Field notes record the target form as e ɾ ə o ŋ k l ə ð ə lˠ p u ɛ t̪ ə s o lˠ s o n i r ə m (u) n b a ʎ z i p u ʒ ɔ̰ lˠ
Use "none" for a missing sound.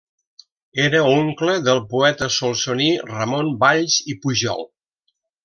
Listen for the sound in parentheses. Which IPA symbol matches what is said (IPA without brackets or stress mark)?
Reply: o